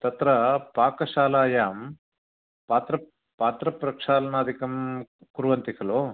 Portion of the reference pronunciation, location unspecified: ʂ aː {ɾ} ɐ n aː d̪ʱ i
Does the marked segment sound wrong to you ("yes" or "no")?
yes